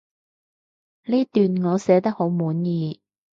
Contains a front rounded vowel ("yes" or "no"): yes